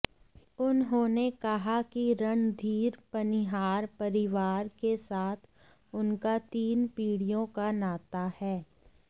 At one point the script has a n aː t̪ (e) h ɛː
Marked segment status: incorrect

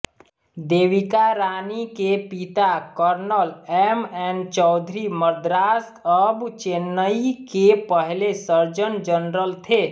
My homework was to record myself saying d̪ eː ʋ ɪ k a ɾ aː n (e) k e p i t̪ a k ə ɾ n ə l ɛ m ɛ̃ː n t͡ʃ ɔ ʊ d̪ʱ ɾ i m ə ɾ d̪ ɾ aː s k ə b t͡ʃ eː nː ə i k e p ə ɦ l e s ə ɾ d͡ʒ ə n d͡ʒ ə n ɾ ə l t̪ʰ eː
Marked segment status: incorrect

